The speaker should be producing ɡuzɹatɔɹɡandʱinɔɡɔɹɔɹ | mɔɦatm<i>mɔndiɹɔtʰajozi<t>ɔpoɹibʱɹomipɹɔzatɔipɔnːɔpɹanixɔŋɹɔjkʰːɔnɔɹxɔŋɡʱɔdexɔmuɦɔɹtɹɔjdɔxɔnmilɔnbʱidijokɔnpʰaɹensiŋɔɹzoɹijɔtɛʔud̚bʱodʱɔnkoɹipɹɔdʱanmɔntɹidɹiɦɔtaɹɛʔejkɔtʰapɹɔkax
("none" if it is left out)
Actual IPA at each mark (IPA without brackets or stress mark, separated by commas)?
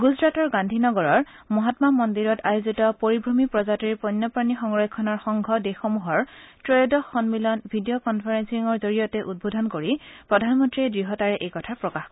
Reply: a, t